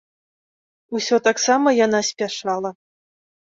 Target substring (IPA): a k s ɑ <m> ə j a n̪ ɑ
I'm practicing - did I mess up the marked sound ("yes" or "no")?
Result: no